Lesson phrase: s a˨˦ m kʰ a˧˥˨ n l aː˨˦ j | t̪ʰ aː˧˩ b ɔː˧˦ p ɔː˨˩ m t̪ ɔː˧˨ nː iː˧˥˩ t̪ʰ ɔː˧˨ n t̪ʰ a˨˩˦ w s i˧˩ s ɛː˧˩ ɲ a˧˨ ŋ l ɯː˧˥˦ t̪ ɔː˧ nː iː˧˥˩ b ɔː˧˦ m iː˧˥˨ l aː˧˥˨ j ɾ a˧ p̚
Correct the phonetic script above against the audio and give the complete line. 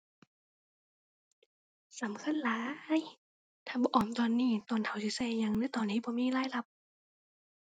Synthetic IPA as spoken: s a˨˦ m kʰ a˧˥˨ n l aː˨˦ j | t̪ʰ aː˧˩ b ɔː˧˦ ʔ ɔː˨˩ m t̪ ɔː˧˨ nː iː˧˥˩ t̪ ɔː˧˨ n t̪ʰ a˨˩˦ w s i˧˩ s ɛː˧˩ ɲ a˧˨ ŋ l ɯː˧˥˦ t̪ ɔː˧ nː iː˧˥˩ b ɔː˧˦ m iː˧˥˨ l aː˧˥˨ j l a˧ p̚